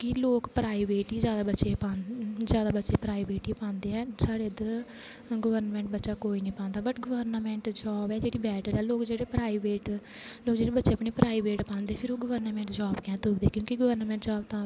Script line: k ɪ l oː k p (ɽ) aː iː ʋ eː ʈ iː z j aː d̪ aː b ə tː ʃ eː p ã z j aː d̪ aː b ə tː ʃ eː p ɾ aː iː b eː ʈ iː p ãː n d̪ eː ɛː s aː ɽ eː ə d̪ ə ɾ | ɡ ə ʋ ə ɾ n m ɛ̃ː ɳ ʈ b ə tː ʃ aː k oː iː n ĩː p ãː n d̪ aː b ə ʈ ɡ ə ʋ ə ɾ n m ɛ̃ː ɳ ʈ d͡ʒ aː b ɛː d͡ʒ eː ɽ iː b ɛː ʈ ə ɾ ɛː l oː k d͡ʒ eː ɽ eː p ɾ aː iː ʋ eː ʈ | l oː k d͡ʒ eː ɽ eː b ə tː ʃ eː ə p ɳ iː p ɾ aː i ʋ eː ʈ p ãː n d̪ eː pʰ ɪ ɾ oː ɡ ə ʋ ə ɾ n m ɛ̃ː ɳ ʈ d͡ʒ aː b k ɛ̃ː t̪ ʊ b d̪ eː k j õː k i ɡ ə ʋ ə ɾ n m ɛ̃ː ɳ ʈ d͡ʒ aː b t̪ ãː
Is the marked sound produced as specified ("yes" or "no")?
no